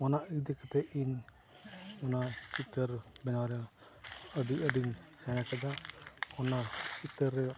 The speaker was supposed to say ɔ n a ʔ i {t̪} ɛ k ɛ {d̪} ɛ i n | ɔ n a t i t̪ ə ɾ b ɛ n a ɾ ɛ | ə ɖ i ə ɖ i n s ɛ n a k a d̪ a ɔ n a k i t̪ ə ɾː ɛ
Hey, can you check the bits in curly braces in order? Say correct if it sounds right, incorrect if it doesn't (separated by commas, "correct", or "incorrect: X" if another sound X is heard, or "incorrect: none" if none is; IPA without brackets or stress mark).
incorrect: d̪, incorrect: t̪